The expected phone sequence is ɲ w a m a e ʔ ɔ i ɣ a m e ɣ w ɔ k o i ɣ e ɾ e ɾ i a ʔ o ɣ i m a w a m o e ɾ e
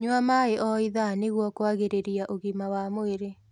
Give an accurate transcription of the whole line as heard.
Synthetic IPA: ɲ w a m a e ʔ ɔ i ð a n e ɣ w ɔ k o a ɣ e ɾ e ɾ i a ʔ o ɣ i m a w a m o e ɾ e